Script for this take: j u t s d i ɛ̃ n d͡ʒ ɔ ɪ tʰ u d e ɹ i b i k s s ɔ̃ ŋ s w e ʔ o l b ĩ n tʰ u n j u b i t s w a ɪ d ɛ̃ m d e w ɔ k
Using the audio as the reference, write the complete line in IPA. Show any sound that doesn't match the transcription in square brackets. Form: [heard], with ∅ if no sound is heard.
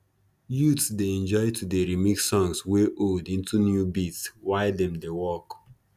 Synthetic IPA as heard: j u t s d [e] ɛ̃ n d͡ʒ ɔ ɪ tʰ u d e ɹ i [m] i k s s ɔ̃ ŋ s w e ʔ o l [d] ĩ n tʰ u n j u b i t s w a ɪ d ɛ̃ m d e w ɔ k

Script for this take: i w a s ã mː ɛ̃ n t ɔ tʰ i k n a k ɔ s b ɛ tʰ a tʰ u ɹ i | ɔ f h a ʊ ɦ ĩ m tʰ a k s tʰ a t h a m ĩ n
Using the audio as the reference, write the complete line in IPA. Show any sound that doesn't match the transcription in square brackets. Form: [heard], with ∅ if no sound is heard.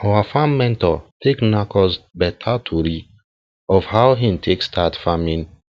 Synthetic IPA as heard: [a] w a [f] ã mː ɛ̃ n t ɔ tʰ [e] k n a k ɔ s b ɛ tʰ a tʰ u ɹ i | ɔ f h a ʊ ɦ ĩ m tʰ [e] k s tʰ a t [f] a m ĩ n

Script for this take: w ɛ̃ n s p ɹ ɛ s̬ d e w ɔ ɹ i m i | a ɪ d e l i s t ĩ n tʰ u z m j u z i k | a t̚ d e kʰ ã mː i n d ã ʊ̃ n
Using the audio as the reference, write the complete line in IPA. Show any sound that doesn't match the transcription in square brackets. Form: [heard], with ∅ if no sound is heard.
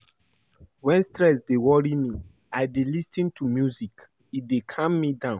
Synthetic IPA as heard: w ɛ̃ n s [t] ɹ ɛ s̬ d e w ɔ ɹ i m i | a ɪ d e l i s t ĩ n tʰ u [∅] m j u z i k | [i] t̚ d e kʰ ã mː i [∅] d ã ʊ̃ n

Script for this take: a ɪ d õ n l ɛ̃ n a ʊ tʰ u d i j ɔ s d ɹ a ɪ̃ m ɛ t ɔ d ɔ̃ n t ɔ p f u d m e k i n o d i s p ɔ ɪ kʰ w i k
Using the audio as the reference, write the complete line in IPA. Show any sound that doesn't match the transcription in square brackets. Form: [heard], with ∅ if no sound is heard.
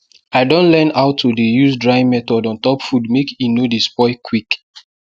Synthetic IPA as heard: a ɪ d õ n l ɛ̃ n a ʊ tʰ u d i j [u] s d ɹ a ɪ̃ m ɛ t ɔ d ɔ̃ n t ɔ p f u d m e k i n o d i s p ɔ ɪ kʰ w i k

